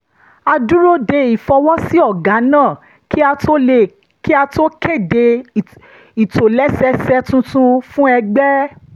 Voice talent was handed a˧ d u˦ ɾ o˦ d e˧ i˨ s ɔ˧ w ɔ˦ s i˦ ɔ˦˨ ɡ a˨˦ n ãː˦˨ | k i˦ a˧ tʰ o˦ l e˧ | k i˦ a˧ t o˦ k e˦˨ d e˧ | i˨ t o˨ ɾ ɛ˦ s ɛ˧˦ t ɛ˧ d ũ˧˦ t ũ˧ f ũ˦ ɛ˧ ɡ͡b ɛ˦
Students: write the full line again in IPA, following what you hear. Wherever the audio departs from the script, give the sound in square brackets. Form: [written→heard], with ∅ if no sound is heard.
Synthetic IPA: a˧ d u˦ ɾ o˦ d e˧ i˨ [s→f] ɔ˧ w ɔ˦ s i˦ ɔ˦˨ ɡ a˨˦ n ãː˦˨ | k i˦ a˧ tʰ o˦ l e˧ | k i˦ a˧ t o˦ k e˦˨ d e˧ | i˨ t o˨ [ɾ→l] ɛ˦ s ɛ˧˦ [t→s] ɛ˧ [d→t] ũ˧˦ t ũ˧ f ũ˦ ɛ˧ ɡ͡b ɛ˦